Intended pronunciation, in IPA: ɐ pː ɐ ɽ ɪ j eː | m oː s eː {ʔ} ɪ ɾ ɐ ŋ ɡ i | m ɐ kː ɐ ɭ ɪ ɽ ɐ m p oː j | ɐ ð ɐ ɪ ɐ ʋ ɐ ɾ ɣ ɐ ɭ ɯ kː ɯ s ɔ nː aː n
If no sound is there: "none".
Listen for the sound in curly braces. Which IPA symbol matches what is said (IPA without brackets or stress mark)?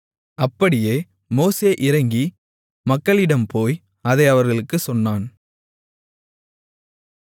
ʔ